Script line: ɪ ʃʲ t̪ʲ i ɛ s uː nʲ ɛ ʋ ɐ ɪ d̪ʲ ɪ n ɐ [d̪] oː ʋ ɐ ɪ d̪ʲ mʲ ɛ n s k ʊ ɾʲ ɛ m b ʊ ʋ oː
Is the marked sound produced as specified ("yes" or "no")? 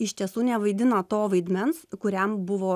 no